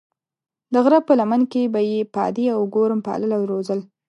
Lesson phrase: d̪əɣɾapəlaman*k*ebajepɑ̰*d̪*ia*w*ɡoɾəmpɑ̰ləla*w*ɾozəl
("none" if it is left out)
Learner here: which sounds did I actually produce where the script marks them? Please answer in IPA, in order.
k, d̪, w, w

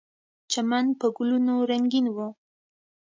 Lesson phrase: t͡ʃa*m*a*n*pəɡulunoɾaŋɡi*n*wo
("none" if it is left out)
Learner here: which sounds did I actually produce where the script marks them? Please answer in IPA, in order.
m, n, n

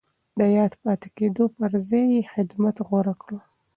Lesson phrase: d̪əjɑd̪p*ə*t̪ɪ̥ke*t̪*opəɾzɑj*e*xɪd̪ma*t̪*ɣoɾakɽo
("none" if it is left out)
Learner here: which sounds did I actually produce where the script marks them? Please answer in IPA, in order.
ɑ, d̪, e, t̪

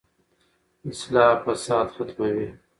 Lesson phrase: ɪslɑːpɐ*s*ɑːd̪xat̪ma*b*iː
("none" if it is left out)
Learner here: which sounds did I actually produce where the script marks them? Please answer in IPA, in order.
s, w

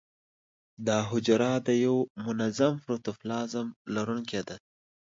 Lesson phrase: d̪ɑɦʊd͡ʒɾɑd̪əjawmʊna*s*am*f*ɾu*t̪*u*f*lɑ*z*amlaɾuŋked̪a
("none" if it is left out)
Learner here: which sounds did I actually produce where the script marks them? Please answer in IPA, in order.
z, f, t̪, f, z

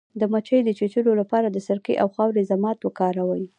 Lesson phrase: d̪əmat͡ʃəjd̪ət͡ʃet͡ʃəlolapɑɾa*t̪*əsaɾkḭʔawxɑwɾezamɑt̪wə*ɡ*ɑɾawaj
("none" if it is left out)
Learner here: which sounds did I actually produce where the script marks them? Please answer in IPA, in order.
d̪, k

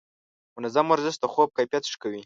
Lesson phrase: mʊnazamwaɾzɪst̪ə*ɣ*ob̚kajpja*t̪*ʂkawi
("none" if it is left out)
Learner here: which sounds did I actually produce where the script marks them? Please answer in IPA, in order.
x, t̪

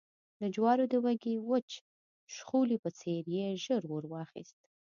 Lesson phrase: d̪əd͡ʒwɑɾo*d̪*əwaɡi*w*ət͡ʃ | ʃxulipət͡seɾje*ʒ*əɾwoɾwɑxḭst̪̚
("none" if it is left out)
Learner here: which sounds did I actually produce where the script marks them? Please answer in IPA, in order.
d̪, w, ʒ

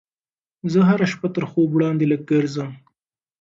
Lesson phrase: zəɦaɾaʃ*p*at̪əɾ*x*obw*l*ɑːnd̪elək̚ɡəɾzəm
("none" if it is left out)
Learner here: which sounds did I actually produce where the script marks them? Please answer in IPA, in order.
p, x, ɽ

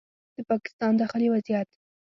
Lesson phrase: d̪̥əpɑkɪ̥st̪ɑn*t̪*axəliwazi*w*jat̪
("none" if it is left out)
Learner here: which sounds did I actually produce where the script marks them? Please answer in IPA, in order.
d̪, none

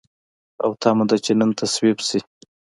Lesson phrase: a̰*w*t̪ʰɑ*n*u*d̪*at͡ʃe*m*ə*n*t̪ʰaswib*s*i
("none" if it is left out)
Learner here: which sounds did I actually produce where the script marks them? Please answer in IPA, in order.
w, m, d̪, n, n, s

